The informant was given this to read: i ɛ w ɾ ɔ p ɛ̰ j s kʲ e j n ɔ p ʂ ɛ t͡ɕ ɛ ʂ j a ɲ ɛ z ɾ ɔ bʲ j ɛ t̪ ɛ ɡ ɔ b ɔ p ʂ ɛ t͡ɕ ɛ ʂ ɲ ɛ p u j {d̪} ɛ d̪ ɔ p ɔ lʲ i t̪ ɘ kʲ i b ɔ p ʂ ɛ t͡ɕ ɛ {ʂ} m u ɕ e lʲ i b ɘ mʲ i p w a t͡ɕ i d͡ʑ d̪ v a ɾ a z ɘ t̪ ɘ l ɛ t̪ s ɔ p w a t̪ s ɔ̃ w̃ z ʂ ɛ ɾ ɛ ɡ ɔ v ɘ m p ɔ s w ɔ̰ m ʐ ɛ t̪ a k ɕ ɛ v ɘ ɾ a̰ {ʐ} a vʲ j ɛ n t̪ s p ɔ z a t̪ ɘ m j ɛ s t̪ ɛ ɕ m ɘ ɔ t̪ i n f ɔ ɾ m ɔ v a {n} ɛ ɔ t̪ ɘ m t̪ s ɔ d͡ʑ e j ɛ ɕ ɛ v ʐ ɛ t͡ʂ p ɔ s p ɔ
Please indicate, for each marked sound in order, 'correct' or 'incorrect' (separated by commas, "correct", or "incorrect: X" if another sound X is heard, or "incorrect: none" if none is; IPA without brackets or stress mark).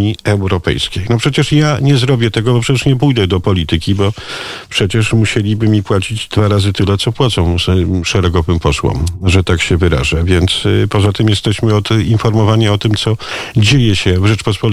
correct, correct, correct, incorrect: ɲ